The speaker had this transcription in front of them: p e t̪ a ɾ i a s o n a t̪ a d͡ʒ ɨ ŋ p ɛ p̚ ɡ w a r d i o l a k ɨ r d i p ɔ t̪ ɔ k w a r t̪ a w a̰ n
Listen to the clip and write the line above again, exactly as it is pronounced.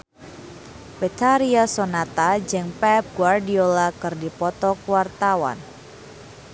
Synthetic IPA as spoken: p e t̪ a ɾ i a s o n a t̪ a d͡ʒ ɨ ŋ p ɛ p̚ ɡ w a r d i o l a k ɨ r d i p ɔ t̪ ɔ k w a r t̪ a w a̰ n